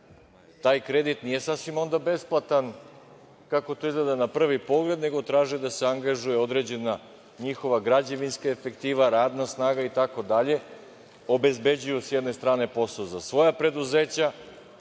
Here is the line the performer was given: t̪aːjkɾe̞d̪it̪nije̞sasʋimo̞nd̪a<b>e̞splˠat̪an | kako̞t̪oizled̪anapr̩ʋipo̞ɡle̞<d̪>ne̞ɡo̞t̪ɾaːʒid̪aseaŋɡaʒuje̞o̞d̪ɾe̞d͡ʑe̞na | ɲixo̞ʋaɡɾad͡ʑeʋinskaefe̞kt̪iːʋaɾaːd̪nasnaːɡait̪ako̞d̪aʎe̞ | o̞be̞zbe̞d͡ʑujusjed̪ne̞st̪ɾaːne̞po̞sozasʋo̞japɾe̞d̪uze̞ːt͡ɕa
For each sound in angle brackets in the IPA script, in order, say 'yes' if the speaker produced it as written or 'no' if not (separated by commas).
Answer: yes, yes